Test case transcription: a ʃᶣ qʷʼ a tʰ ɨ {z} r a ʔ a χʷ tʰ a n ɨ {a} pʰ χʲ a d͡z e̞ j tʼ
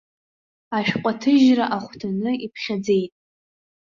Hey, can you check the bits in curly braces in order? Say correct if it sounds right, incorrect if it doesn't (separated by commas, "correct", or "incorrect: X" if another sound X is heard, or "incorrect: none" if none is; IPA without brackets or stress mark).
incorrect: ʒ, incorrect: i